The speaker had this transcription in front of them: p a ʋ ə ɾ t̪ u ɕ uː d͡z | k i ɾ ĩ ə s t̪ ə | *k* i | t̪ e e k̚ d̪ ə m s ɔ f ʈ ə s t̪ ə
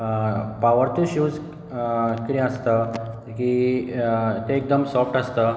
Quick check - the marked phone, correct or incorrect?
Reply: correct